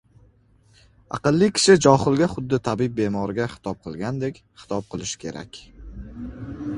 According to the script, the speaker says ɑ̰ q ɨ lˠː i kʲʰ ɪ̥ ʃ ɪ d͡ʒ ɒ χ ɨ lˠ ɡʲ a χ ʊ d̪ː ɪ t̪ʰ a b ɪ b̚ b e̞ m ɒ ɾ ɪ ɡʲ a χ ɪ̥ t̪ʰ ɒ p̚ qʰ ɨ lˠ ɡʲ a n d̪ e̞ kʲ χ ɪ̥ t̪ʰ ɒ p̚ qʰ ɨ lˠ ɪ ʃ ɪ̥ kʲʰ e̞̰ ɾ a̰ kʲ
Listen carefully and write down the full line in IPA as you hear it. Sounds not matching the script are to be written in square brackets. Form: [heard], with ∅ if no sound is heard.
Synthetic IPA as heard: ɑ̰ q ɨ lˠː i kʲʰ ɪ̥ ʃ ɪ d͡ʒ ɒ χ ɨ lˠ ɡʲ a χ ʊ d̪ː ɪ t̪ʰ a b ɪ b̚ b e̞ m ɒ ɾ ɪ ɡʲ a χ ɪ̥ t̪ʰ ɒ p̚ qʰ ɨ lˠ ɡʲ a n d̪ e̞ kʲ χ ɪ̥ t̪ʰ ɒ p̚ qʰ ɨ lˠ ɪ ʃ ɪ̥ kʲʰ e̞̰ ɾ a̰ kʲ